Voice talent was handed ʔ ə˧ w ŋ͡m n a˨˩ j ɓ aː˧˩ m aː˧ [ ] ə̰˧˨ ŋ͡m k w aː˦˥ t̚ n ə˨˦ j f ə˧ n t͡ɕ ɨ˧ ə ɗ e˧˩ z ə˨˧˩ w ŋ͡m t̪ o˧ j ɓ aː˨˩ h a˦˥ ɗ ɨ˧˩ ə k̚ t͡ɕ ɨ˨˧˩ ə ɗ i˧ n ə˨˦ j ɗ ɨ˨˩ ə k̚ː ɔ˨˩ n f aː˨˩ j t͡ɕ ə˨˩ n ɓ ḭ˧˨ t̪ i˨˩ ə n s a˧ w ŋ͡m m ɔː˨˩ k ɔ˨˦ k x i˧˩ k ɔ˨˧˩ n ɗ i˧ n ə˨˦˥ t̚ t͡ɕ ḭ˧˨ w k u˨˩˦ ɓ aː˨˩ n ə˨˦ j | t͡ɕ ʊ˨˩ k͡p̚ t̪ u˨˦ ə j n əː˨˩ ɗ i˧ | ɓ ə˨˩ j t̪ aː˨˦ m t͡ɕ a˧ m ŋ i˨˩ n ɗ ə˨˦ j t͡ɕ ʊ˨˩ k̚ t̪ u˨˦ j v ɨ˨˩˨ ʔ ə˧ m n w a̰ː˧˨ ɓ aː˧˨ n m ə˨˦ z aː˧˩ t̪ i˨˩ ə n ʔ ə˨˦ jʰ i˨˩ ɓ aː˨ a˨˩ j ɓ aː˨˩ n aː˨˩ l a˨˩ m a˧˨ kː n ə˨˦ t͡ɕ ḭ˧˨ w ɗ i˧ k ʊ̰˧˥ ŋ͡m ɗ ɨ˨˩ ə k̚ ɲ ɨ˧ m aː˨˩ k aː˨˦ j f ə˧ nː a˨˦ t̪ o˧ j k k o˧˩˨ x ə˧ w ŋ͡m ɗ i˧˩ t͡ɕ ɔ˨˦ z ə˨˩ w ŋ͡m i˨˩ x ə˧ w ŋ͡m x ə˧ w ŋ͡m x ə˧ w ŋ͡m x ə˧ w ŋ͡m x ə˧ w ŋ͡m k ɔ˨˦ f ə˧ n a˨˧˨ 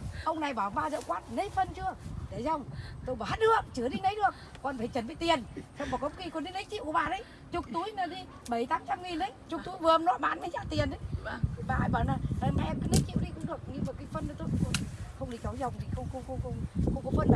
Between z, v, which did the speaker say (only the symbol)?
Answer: z